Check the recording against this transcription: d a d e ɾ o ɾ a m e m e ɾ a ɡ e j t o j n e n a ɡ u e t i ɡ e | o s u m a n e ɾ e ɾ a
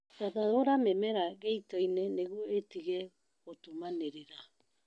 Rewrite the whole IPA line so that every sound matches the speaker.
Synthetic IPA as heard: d a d a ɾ o ɾ a m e m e ɾ a ɡ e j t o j n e n e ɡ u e t i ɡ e | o t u m a n e ɾ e ɾ a